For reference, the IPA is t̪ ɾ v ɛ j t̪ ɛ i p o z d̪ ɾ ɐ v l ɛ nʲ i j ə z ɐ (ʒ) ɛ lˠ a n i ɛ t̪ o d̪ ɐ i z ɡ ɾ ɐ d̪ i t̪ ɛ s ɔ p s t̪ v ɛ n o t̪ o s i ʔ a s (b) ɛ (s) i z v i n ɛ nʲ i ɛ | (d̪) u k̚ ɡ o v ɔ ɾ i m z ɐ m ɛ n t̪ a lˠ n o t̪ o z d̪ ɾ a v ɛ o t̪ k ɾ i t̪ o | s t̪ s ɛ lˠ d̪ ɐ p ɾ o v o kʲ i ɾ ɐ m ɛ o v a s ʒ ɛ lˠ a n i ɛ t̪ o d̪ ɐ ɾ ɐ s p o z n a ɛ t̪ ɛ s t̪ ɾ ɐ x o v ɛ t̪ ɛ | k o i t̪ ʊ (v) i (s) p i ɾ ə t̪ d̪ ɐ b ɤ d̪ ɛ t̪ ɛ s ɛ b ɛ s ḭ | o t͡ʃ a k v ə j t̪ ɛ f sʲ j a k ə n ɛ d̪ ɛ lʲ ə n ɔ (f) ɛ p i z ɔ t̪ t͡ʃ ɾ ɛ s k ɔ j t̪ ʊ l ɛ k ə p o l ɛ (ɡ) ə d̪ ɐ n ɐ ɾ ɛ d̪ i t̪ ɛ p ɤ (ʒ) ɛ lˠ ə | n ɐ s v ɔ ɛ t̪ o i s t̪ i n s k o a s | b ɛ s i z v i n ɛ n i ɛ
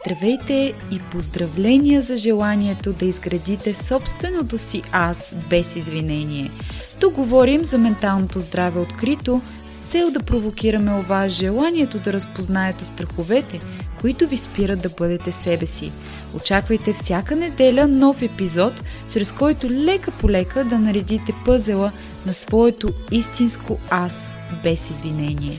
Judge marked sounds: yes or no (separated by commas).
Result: yes, yes, yes, no, yes, yes, yes, no, no